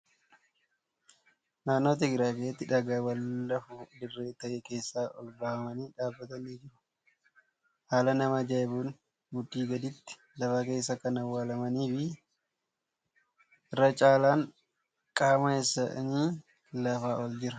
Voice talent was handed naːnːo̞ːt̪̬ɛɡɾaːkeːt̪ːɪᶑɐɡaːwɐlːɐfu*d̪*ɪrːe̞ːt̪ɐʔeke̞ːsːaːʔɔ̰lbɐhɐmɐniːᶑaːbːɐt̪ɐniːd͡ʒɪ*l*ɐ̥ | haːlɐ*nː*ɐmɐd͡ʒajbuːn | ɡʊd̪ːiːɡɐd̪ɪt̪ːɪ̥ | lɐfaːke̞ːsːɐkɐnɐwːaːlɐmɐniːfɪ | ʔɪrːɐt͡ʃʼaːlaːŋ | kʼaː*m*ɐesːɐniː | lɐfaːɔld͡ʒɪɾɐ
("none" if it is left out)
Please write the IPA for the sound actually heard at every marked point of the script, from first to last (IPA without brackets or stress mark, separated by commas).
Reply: d̪, ɾ, n, m